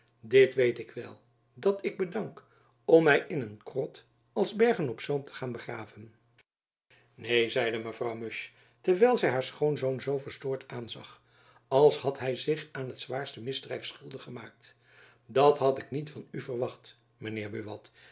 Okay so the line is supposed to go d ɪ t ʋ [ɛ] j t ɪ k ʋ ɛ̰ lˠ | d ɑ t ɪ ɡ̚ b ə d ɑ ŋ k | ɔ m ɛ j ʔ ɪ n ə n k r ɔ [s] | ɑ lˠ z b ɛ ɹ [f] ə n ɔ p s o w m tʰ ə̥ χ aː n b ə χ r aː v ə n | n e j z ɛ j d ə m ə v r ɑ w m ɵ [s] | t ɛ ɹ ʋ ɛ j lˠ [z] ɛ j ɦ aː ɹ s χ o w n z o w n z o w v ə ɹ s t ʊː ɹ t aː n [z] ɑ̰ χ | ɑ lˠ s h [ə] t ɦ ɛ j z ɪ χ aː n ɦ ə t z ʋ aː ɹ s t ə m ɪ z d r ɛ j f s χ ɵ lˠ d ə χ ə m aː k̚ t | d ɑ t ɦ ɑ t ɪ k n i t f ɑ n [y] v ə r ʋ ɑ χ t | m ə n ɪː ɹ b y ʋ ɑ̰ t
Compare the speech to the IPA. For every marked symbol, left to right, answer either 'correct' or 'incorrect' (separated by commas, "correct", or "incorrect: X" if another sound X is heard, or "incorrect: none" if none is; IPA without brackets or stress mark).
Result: incorrect: e, incorrect: t, incorrect: χ, incorrect: ʃ, correct, correct, incorrect: ɑ, correct